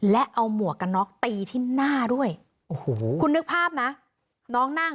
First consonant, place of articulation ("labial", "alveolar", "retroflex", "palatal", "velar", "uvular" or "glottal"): alveolar